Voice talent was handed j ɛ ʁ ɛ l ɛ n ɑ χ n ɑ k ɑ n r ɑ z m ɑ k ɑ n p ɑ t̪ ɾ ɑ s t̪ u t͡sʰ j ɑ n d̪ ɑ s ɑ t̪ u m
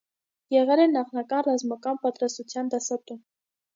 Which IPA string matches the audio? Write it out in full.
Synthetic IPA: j ɛ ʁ ɛ l ɛ n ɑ χ n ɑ k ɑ n r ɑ z m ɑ k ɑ n p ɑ t̪ ɾ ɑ s t̪ u t͡sʰ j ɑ n d̪ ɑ s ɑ t̪ u m